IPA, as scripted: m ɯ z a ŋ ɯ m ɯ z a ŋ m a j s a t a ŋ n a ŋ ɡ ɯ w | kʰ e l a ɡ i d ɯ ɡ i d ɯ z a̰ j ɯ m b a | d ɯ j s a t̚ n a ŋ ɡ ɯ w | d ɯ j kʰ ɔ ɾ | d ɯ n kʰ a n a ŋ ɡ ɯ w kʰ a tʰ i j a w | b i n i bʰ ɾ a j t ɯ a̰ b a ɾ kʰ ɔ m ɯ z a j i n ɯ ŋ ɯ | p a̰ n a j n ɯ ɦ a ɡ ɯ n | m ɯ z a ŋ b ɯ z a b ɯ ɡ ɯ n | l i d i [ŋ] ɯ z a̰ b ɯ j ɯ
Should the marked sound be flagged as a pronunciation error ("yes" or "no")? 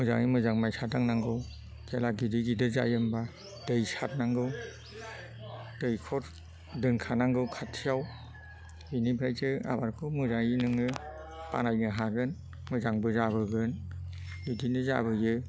yes